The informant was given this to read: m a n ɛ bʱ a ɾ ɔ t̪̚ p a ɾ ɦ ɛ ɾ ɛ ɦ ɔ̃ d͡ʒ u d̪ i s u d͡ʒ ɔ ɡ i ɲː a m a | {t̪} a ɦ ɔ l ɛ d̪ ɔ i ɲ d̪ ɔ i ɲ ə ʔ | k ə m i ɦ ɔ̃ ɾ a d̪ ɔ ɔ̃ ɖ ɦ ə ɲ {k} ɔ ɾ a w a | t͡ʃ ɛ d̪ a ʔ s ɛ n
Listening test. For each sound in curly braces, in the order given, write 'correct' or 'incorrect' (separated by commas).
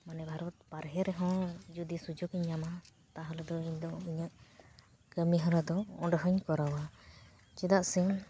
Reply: correct, correct